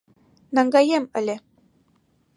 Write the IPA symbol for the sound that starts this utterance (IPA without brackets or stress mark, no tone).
n